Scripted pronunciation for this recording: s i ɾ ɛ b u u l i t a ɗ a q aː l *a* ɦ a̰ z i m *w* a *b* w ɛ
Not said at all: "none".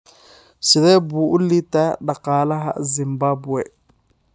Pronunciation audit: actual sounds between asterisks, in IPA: a, b, b

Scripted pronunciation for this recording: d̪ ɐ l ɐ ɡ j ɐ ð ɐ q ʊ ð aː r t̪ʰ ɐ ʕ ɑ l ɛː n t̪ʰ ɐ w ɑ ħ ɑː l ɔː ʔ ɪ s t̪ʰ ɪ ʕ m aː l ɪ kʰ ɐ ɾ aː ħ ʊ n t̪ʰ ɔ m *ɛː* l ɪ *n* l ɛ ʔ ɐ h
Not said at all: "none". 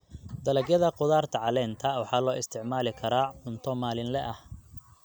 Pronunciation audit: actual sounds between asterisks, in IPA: aː, n

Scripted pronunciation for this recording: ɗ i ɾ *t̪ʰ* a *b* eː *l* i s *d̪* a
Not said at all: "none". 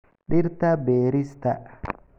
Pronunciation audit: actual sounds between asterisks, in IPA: t̪, b, ɾ, t̪

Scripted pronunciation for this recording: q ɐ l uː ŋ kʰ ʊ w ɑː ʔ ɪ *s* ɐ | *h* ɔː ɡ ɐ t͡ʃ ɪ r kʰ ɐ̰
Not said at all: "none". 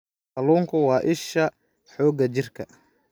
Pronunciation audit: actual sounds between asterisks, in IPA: ʃ, ħ

